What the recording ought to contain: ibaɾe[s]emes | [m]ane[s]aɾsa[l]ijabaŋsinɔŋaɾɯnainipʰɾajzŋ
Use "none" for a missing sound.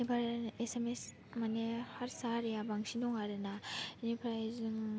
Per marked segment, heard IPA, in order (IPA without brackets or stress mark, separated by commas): s, m, h, ɾ